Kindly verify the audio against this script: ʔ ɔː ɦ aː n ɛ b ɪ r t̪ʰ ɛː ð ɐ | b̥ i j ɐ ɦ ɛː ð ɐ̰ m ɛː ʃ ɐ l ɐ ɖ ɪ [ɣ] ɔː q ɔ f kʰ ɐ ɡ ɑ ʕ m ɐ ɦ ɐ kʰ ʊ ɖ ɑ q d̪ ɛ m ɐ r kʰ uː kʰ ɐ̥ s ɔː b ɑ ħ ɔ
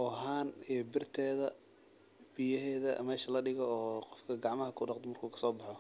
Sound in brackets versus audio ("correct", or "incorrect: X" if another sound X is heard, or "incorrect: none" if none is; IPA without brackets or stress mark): correct